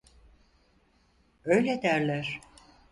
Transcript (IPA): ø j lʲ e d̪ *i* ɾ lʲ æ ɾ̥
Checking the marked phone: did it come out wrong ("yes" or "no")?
yes